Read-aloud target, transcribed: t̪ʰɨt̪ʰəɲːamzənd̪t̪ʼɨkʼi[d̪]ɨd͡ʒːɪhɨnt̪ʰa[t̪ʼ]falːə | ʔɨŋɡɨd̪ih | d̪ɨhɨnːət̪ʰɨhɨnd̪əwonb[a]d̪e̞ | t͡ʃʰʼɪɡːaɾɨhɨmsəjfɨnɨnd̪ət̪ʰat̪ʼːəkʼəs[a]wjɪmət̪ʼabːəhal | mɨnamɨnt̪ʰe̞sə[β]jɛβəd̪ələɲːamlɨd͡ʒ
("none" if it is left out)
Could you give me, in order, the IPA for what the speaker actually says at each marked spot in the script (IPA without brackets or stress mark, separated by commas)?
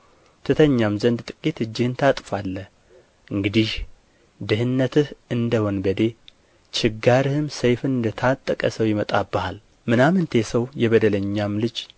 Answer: t̪, t̪ʼ, ə, ə, w